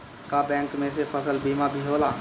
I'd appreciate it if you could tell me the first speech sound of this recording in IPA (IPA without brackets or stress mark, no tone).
k